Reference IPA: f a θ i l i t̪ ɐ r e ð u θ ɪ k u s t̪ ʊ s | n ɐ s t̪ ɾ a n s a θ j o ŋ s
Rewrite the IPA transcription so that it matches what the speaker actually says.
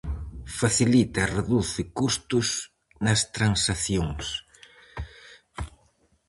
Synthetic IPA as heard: f a θ i l i t̪ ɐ r e ð u θ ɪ k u s t̪ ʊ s | n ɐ s t̪ ɾ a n s a θ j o ŋ s